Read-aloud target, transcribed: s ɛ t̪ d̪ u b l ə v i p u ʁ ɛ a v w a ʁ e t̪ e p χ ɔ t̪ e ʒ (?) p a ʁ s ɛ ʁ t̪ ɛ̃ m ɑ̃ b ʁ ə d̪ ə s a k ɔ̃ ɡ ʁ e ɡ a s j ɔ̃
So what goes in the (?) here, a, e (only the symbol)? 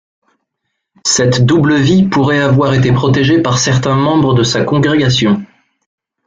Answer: e